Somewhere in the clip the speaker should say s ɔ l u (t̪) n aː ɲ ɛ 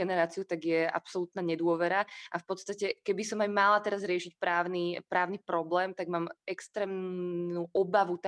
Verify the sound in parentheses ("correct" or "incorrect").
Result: correct